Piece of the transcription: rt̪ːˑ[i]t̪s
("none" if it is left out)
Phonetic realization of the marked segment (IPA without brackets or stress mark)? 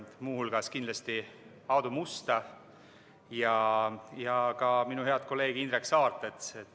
e